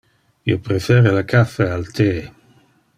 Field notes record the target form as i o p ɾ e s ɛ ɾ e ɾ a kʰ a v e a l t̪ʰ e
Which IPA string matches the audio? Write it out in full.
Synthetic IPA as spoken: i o p ɾ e f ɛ ɾ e l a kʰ a f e a l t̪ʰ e

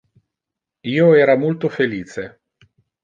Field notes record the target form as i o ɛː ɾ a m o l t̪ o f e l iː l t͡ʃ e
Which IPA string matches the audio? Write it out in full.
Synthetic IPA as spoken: iː o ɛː ɾ a m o l t̪ o f e l iː t͡ʃ e

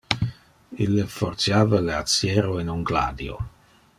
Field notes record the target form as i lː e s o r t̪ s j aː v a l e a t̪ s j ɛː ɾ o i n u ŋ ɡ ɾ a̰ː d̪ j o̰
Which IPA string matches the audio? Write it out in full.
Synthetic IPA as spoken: i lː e f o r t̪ s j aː v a l e a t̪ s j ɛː ɾ o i n u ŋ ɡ l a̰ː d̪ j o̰

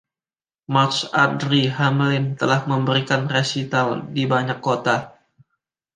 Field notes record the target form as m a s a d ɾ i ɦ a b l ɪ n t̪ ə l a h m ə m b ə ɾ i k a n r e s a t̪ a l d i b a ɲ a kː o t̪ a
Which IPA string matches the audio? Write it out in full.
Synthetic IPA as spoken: m a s a d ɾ i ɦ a m l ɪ n t̪ ə l a h m ə m b ə ɾ i k a n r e s i t̪ a l d i b a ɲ a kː o t̪ a

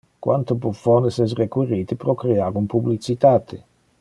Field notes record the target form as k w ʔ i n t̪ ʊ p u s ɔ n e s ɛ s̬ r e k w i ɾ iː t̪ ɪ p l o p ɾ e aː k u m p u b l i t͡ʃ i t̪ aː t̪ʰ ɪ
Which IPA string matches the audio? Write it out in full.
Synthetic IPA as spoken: k w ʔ a n t̪ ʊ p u f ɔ n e s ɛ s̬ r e k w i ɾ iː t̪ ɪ p ɾ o k ɾ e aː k u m p u b l i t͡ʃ i t̪ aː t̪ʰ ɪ

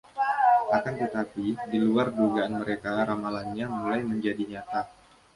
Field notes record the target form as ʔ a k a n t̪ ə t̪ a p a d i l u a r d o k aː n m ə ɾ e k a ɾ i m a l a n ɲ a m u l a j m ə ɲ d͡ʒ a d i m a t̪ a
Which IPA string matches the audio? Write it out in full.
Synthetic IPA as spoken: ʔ a k a n t̪ ə t̪ a p i d i l u a r d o ɡ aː n m ə ɾ e k a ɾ a m a l a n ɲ a m u l a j m ə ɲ d͡ʒ a d i ɲ a t̪ a

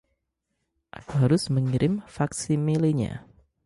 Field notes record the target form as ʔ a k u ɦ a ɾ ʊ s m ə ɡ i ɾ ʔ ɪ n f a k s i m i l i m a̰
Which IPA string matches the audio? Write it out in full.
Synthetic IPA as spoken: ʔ a k u ɦ a ɾ ʊ s m ə ŋ i ɾ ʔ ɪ m f a k s i m i l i ɲ a̰

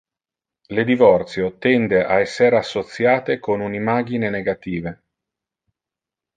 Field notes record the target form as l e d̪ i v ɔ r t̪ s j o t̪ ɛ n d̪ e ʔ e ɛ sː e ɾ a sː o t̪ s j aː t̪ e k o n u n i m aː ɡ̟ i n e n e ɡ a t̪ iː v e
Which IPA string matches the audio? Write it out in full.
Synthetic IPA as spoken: l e d̪ i v ɔ r t̪ s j o t̪ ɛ n d̪ e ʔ a ɛ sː e ɾ a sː o t̪ s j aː t̪ e k o n u n i m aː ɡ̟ i n e n e ɡ a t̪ iː v e

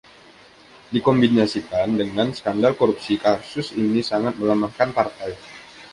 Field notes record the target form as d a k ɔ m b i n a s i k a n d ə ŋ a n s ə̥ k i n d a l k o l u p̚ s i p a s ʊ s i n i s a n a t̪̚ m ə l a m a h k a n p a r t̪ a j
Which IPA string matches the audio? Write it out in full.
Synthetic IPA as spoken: d i k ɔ m b i n a s i k a n d ə ŋ a n s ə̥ k a n d a l k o ɾ u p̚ s i k a s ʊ s i n i s a ŋ a t̪̚ m ə l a m a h k a n p a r t̪ a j

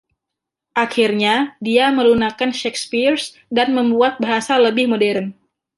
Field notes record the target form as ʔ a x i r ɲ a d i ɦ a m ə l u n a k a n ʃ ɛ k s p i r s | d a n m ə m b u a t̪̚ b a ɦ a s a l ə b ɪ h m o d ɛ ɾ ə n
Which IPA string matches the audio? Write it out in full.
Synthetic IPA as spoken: ʔ a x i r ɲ a d i a m ə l u n a k a n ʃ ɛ k s p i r s | d a n m ə m b u a t̪̚ b a ɦ a s a l ə b ɪ h m o d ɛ ɾ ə n

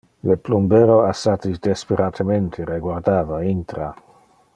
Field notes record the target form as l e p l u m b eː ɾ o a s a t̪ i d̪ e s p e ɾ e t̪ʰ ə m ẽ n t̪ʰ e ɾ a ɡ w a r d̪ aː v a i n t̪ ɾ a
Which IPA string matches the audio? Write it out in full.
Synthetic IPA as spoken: l e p l u m b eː ɾ o a s a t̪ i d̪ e s p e ɾ a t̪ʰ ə m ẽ n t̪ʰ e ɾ e ɡ w a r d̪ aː v a i n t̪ ɾ a

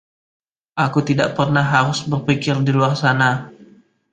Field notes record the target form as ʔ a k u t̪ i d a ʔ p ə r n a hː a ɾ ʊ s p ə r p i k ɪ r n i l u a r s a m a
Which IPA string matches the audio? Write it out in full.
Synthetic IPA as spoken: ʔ a k u t̪ i d a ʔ p ə r n a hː a ɾ ʊ s b ə r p i k ɪ r d i l u a r s a n a

